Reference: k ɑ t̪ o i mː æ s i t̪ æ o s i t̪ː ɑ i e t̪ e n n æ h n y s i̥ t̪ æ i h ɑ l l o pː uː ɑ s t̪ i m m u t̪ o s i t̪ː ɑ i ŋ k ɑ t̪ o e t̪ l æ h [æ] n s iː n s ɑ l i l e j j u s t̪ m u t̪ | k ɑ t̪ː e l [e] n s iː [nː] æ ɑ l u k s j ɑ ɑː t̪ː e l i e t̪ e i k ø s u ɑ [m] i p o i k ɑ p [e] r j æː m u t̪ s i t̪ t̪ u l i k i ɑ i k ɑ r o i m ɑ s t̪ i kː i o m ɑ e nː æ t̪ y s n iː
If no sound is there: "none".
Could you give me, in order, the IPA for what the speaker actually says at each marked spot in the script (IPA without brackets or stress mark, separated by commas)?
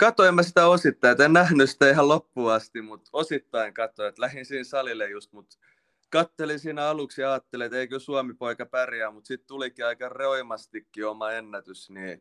i, i, n, m, æ